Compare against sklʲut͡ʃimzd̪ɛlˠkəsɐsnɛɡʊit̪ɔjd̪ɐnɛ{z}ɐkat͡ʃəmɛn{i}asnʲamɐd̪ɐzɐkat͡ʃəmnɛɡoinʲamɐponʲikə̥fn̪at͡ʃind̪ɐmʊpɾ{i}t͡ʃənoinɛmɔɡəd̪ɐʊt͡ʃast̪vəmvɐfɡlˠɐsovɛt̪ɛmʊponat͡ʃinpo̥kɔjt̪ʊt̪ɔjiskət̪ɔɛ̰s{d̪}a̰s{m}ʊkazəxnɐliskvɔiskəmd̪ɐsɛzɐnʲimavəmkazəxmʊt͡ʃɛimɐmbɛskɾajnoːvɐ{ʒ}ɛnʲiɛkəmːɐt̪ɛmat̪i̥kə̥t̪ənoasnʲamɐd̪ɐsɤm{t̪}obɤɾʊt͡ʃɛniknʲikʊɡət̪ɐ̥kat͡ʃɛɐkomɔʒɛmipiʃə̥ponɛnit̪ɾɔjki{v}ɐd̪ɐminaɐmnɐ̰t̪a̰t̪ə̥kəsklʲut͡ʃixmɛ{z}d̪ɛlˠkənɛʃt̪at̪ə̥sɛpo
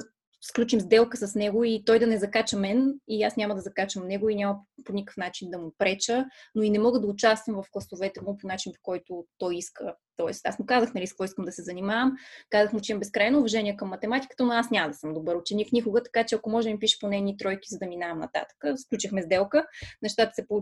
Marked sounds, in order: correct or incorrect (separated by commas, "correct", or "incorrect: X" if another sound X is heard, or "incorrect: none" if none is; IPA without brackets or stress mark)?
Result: correct, correct, incorrect: ɛ, incorrect: t̪, correct, correct, incorrect: d̪, incorrect: z, correct